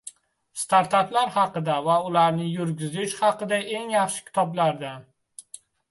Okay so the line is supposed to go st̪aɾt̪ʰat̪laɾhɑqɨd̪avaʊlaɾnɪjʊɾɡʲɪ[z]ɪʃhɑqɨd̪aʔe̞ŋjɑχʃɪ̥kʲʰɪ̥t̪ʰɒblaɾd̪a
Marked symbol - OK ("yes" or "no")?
yes